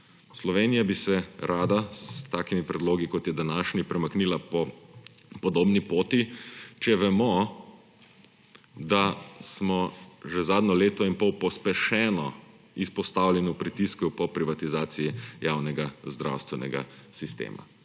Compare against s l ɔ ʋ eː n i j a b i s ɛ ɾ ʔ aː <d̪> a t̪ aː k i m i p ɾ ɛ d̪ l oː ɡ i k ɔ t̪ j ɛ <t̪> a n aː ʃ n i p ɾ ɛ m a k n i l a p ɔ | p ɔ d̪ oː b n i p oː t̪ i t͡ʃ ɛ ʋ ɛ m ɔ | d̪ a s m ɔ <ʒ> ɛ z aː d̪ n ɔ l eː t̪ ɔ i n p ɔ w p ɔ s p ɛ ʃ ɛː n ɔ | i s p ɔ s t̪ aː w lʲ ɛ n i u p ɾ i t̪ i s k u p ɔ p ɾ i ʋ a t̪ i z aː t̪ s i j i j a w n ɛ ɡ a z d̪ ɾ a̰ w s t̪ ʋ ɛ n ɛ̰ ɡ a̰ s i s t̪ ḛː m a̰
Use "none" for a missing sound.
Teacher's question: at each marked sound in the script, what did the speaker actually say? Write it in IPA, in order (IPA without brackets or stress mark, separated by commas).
d̪, d̪, ʒ